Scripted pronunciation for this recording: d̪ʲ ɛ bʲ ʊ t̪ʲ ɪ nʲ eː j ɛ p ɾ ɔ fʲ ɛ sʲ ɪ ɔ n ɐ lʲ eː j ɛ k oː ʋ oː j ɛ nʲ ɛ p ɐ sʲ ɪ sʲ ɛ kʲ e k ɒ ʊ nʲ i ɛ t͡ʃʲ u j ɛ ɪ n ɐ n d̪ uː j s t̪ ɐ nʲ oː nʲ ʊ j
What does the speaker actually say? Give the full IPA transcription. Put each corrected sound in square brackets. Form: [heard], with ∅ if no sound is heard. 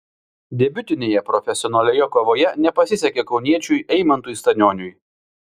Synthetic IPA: d̪ʲ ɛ bʲ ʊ t̪ʲ ɪ nʲ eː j ɛ p ɾ ɔ fʲ ɛ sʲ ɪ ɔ n ɐ lʲ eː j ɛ k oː ʋ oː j ɛ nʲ ɛ p ɐ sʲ ɪ sʲ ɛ kʲ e k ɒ ʊ nʲ i ɛ t͡ʃʲ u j ɛ ɪ [m] ɐ n [t̪] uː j s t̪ ɐ nʲ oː nʲ ʊ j